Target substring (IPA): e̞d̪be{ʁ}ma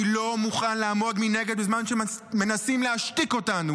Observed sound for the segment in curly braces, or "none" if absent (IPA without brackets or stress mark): z